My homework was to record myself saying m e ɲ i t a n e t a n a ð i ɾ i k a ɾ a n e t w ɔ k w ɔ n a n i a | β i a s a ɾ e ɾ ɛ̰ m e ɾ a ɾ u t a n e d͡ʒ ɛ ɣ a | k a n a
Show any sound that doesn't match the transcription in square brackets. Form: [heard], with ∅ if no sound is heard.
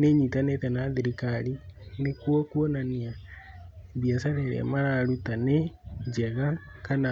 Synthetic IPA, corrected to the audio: [n] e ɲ i t a n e t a n a ð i ɾ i k a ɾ [i] n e [k] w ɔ k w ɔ n a n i a | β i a s a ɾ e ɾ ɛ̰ m [a] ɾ a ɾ u t a n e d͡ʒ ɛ ɣ a | k a n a